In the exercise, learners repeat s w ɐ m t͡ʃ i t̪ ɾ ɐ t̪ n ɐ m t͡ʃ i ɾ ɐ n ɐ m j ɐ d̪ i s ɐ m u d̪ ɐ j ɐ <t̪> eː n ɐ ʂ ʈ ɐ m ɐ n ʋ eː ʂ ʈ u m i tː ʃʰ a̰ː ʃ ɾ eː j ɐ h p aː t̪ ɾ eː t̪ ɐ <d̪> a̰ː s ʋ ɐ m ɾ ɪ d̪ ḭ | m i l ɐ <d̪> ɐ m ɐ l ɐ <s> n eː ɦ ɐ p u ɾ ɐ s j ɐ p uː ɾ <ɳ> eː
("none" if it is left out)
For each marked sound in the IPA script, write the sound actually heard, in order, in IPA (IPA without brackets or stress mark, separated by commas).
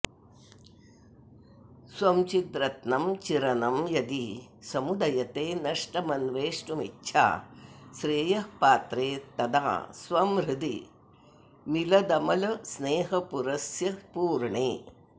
t̪, d̪, d̪, s, ɳ